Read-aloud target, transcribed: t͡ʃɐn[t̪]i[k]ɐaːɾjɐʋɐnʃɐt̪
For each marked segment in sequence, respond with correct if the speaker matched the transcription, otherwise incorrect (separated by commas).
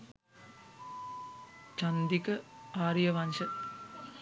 incorrect, correct